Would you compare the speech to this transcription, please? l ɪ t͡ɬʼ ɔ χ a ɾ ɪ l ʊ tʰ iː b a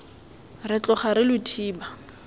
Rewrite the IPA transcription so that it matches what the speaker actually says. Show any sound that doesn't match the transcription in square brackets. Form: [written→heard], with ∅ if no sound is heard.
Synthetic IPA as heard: [l→r] ɪ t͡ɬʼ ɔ χ a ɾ ɪ l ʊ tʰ iː b a